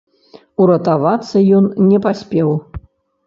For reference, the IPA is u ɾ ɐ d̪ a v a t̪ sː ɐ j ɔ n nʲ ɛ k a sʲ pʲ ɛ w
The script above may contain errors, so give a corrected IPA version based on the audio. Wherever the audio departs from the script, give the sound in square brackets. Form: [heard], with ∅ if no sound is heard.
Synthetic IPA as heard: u ɾ ɐ [t̪] a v a t̪ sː ɐ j ɔ n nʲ ɛ [p] a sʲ pʲ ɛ w

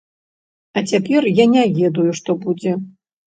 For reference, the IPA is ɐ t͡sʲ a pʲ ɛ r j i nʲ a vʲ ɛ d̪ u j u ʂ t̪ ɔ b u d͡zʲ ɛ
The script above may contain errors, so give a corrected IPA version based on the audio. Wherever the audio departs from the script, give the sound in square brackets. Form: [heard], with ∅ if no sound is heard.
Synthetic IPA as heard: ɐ t͡sʲ a pʲ ɛ r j [a] nʲ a vʲ ɛ d̪ u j u ʂ t̪ ɔ b u d͡zʲ ɛ

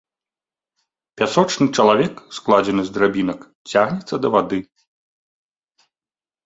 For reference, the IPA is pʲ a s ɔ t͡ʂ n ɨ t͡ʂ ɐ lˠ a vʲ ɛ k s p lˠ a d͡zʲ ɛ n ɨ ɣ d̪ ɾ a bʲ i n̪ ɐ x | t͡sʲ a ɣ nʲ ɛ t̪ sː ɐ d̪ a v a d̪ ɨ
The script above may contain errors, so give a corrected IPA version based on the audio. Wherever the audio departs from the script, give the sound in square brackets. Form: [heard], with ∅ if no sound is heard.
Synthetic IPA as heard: pʲ a s ɔ t͡ʂ n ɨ t͡ʂ ɐ lˠ a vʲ ɛ k s [k] lˠ a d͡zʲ ɛ n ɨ [z] d̪ ɾ a bʲ i n̪ ɐ [k] | t͡sʲ a ɣ nʲ ɛ t̪ sː ɐ d̪ [ɐ] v a d̪ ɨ

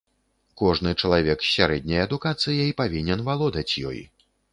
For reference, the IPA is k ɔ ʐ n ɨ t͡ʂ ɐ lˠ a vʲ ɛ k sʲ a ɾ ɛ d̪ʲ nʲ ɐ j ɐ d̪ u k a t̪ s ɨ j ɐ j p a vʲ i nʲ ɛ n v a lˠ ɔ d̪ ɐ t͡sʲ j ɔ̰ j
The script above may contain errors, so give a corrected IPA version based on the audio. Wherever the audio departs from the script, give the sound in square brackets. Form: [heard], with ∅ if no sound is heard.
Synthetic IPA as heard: k ɔ ʐ n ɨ t͡ʂ ɐ lˠ a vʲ ɛ k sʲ a ɾ ɛ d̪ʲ nʲ ɐ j ɐ d̪ u k a t̪ s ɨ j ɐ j p a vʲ i nʲ ɛ n v a lˠ ɔ d̪ ɐ t͡sʲ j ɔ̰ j

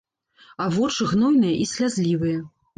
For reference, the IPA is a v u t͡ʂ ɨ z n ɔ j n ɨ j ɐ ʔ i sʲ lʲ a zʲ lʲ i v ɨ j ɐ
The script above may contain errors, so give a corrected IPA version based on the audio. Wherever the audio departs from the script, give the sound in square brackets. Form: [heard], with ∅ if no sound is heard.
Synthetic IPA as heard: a v [ɔ] t͡ʂ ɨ [ɣ] n ɔ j n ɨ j ɐ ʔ i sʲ lʲ a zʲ lʲ i v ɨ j ɐ

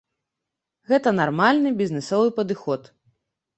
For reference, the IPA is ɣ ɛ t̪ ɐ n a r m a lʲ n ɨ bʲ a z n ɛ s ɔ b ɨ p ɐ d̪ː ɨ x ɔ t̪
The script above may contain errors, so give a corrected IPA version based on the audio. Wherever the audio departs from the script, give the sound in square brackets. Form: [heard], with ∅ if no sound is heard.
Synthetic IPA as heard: ɣ ɛ t̪ ɐ n a r m a lʲ n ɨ bʲ [i] z n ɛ s ɔ [v] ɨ p ɐ [d̪] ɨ x ɔ t̪

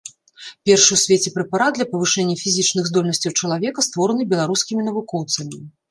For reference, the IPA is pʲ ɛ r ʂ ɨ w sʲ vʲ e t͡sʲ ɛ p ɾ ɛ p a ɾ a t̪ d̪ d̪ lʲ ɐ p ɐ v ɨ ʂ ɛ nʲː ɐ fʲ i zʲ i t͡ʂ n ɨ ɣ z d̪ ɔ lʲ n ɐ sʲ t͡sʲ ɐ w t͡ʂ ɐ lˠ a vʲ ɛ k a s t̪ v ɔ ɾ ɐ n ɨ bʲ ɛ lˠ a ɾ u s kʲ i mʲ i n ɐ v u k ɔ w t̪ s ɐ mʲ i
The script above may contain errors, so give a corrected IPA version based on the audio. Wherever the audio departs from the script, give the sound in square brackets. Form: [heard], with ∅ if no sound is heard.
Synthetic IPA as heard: pʲ ɛ r ʂ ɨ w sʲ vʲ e t͡sʲ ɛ p ɾ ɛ p a ɾ a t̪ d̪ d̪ lʲ ɐ p ɐ v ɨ ʂ ɛ nʲː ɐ fʲ i zʲ i t͡ʂ n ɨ ɣ z d̪ ɔ lʲ n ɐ sʲ t͡sʲ ɐ w t͡ʂ ɐ lˠ a vʲ ɛ k [ɐ] s t̪ v ɔ ɾ ɐ n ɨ bʲ ɛ lˠ a ɾ u s kʲ i mʲ i n ɐ v u k ɔ w t̪ s ɐ mʲ i

